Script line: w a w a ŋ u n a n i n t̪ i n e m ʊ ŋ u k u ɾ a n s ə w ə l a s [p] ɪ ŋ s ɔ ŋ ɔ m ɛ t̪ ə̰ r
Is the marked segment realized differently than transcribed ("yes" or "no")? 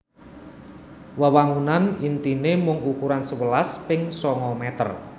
no